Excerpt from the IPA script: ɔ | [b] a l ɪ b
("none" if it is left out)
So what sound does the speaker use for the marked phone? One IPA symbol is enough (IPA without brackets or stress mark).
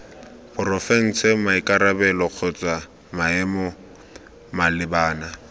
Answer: m